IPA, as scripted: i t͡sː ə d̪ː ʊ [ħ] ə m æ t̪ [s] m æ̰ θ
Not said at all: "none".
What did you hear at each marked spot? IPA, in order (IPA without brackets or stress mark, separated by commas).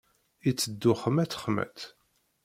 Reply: χ, χ